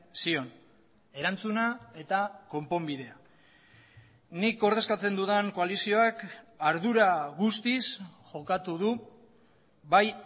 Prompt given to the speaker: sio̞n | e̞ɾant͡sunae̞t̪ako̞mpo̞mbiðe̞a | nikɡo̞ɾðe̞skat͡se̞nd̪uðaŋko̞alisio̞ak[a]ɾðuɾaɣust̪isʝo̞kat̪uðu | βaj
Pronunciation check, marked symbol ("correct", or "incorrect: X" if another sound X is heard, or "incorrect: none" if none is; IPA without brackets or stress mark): correct